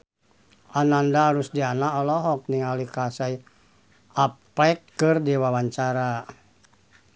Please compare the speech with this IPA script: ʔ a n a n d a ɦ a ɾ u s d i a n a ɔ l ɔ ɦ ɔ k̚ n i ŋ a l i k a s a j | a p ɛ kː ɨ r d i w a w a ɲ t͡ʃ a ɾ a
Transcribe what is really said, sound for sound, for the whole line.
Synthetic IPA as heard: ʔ a n a n d a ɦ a ɾ u s d i a n a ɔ l ɔ ɦ ɔ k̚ n i ŋ a l i k a s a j | a p ɛ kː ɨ r d i w a w a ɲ t͡ʃ a ɾ a